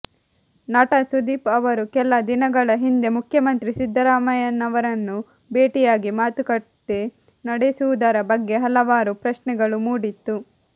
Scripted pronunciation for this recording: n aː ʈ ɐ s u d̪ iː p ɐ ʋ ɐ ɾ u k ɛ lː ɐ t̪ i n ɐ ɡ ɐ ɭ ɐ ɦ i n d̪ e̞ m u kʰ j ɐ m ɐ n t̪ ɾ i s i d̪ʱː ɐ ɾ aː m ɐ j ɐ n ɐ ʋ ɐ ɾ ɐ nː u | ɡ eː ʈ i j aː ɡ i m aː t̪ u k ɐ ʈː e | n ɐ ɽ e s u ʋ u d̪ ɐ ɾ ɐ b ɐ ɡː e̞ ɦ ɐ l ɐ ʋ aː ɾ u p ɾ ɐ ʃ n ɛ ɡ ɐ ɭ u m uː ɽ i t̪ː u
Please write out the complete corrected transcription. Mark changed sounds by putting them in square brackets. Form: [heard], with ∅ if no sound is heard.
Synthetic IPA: n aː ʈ ɐ s u d̪ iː p ɐ ʋ ɐ ɾ u k ɛ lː ɐ [d̪] i n ɐ ɡ ɐ ɭ ɐ ɦ i n d̪ e̞ m u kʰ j ɐ m ɐ n t̪ ɾ i s i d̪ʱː ɐ ɾ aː m ɐ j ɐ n ɐ ʋ ɐ ɾ ɐ nː u | [b] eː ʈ i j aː ɡ i m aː t̪ u k ɐ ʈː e | n ɐ ɽ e s u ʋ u d̪ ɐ ɾ ɐ b ɐ ɡː e̞ ɦ ɐ l ɐ ʋ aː ɾ u p ɾ ɐ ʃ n ɛ ɡ ɐ ɭ u m uː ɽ i t̪ː u